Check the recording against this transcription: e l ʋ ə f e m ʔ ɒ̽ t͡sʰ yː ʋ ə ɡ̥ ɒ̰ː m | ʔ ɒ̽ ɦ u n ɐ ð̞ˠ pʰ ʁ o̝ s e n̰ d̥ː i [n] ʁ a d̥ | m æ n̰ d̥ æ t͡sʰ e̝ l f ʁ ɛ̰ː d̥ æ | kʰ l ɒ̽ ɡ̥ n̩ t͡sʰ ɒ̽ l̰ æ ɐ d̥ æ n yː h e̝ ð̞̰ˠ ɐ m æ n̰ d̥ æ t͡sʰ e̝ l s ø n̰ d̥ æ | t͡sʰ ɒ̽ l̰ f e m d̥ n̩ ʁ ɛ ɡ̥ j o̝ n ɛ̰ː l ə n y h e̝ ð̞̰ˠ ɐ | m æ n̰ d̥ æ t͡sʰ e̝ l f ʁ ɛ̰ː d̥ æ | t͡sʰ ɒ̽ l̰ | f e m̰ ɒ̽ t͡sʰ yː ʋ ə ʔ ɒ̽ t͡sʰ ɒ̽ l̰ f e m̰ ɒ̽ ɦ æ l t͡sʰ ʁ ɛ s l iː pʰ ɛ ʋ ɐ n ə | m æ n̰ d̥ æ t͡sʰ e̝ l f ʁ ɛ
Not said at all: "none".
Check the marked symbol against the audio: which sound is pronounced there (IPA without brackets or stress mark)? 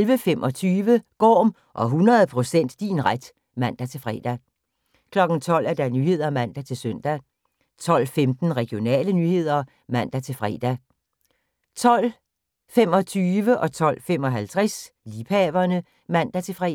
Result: n